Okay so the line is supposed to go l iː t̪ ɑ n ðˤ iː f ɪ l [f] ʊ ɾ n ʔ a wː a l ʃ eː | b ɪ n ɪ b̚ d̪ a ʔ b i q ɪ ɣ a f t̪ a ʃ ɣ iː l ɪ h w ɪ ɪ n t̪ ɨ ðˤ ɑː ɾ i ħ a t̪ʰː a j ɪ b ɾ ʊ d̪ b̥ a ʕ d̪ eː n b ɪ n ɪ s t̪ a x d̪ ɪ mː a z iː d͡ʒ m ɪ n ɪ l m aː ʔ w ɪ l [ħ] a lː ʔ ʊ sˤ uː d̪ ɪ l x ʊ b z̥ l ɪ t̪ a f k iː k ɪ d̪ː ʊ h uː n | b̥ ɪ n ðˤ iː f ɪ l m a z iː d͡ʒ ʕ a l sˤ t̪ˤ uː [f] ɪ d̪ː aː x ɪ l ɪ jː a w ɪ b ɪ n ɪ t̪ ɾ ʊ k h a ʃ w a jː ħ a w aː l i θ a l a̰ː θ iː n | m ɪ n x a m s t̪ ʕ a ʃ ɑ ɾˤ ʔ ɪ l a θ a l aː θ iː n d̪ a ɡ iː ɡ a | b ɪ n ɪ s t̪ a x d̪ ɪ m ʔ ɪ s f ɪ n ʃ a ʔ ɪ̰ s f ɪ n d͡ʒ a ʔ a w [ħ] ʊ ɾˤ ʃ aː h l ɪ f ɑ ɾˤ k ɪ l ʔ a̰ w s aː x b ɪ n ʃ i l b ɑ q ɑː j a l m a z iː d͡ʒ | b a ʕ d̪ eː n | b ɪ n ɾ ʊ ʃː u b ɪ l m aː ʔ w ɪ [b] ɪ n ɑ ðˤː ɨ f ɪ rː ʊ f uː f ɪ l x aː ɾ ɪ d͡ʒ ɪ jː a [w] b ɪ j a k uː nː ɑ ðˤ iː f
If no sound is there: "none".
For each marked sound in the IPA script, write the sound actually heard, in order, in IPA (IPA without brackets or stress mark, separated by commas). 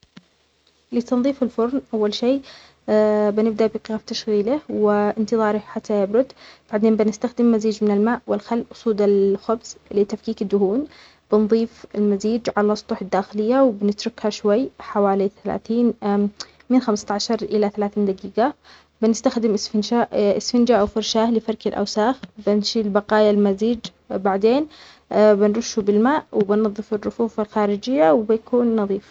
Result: f, x, ħ, f, b, w